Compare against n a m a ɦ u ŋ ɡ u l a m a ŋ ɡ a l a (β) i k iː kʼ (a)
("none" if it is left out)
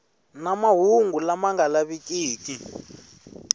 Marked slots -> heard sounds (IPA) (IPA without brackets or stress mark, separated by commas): β, i